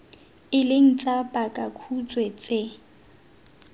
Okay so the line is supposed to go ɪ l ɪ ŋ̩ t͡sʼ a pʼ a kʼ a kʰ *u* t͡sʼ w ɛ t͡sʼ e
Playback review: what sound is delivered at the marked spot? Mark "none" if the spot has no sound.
u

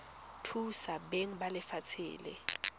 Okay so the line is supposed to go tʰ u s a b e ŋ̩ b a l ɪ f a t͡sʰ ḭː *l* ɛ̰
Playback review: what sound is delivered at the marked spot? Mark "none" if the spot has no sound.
l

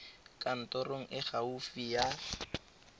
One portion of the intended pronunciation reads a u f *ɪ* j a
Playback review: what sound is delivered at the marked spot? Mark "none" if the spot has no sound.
i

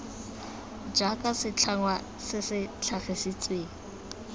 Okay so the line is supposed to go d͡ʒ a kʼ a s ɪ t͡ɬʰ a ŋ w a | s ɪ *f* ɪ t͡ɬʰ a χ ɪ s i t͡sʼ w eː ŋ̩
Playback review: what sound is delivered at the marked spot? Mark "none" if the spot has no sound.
s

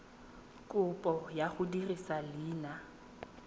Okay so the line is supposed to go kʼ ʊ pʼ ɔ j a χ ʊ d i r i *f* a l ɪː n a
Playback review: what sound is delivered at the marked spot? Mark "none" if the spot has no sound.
s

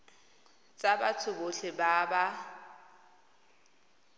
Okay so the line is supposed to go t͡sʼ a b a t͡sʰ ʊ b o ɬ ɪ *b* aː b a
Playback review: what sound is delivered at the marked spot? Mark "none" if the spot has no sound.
b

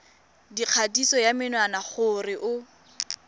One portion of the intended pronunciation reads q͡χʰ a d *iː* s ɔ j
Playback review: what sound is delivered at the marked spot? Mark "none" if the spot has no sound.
i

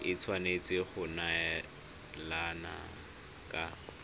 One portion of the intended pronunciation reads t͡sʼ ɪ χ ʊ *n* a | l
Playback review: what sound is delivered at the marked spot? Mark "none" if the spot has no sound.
n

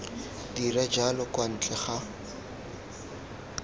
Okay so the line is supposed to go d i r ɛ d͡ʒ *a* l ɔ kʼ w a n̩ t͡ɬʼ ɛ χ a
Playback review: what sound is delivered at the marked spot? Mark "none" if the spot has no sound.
a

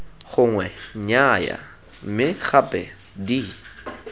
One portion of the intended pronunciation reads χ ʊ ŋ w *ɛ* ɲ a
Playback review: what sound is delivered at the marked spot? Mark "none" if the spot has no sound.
ɛ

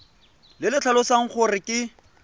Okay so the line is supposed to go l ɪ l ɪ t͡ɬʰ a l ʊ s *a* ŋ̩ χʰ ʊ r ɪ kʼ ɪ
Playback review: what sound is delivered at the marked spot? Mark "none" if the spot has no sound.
a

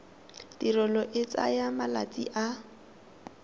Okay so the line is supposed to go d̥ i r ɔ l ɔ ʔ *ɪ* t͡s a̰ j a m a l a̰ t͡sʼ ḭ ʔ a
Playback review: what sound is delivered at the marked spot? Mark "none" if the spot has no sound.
ɪ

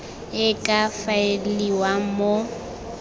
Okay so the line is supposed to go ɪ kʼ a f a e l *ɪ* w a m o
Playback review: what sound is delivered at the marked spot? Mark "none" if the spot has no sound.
i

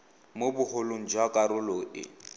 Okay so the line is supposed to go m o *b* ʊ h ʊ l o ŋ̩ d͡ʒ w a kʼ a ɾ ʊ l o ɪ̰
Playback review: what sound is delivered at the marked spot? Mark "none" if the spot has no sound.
b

